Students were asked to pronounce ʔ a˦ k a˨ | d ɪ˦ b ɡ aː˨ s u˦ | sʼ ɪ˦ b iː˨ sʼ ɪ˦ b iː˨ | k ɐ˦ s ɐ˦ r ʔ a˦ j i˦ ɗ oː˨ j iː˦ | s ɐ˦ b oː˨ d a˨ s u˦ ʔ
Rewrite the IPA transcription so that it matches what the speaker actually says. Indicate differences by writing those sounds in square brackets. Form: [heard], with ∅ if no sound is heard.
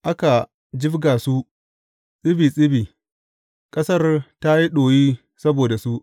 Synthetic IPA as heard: ʔ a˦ k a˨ | [d͡ʒ] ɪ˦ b ɡ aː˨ s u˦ | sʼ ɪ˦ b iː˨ sʼ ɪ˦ b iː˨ | [kʼ] ɐ˦ s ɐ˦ r [t] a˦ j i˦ ɗ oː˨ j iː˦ | s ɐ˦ b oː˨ d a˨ s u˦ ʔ